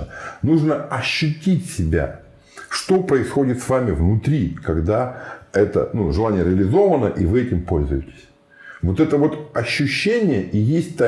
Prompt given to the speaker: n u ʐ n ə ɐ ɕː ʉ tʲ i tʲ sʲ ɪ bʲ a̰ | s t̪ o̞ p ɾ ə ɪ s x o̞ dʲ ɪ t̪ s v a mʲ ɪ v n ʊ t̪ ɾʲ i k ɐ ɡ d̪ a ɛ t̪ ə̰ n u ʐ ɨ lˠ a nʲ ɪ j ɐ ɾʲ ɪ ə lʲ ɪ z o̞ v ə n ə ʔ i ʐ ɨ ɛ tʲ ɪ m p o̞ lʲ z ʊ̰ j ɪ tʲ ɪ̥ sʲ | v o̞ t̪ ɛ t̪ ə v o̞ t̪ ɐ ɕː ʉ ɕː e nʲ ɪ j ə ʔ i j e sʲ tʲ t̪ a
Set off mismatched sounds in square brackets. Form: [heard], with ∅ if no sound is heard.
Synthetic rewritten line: n u ʐ n ə ɐ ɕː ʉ tʲ i tʲ sʲ ɪ bʲ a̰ | [ʂ] t̪ o̞ p ɾ ə ɪ s x o̞ dʲ ɪ t̪ s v a mʲ ɪ v n ʊ t̪ ɾʲ i k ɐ ɡ d̪ a ɛ t̪ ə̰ n u ʐ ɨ lˠ a nʲ ɪ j [ə] ɾʲ ɪ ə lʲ ɪ z o̞ v ə n ə ʔ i [v] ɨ ɛ tʲ ɪ m p o̞ lʲ z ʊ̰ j ɪ tʲ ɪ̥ sʲ | v o̞ t̪ ɛ t̪ ə v o̞ t̪ ɐ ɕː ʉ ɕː e nʲ ɪ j ə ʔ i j e sʲ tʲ t̪ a